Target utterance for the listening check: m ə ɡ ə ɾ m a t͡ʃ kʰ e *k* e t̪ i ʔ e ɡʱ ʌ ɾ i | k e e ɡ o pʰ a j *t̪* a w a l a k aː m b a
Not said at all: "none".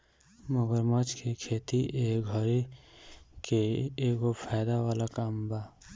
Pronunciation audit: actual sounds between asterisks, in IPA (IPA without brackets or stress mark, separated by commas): kʰ, d̪